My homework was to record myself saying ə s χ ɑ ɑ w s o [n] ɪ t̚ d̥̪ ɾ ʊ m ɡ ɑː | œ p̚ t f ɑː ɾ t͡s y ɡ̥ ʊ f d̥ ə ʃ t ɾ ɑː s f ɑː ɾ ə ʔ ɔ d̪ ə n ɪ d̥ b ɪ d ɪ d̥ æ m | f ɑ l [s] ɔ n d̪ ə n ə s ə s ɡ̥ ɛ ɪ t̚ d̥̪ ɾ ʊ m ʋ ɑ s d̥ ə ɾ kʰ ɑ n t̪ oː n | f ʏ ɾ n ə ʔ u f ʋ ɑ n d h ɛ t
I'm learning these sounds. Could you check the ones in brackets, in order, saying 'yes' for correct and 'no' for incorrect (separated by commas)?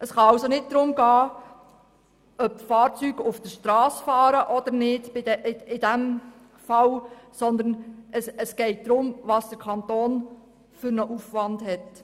yes, yes